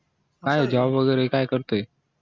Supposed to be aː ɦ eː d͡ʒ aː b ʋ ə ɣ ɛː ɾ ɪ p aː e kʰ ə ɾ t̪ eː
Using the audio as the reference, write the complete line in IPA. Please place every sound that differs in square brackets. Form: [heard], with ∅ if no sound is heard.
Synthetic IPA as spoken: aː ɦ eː d͡ʒ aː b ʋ ə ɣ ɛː ɾ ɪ [k] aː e [k] ə ɾ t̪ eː